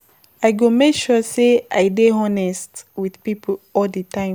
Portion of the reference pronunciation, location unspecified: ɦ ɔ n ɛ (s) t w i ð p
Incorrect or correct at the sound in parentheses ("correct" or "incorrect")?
correct